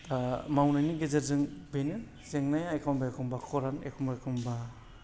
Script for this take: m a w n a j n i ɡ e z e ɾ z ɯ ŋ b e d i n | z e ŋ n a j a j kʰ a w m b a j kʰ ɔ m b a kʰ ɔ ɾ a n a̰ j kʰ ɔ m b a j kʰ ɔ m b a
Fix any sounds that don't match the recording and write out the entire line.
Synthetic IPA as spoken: m a w n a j n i ɡ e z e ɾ z ɯ ŋ b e n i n | z e ŋ n a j a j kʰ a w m b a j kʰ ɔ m b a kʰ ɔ ɾ a n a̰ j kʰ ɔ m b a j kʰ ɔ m b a